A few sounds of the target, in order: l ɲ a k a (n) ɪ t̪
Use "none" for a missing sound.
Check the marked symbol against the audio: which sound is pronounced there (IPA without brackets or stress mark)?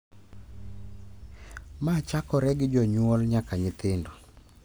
ɲ